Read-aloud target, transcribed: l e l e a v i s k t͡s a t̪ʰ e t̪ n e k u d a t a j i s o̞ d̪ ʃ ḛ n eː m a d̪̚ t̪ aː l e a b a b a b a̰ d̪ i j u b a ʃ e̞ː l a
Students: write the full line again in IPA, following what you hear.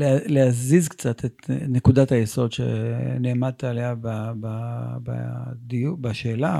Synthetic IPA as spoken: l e l e a z i z k t͡s a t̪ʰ e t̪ n e k u d a t a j e s o̞ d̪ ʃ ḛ n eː m a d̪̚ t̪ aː l e a b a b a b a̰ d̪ i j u b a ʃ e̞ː l a